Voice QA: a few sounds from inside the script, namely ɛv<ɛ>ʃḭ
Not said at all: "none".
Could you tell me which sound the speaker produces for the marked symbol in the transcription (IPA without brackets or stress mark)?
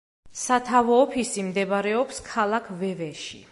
ɛ